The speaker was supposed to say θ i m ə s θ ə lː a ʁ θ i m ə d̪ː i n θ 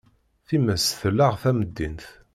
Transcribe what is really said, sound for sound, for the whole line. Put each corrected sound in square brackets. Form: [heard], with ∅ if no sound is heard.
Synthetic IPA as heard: θ i m ə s θ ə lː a ʁ θ [æ] m ə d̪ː i n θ